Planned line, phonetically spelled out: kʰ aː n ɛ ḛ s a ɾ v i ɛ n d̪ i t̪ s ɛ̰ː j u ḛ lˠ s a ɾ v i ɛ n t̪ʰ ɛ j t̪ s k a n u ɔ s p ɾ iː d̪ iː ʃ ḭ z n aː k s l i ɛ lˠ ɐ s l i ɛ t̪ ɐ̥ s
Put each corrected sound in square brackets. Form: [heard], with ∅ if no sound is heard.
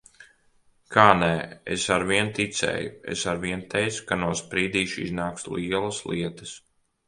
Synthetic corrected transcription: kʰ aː n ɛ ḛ s a ɾ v i ɛ n [t̪] i t̪ s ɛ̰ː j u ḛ [∅] s a ɾ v i ɛ n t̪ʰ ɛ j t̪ s k a n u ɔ s p ɾ iː d̪ iː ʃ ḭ z n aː k s l i ɛ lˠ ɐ s l i ɛ t̪ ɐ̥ s